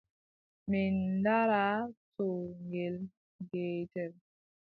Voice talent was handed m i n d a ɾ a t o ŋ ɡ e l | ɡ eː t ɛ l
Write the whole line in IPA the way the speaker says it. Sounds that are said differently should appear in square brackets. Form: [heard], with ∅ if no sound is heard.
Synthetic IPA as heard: m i n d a ɾ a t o ŋ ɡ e l | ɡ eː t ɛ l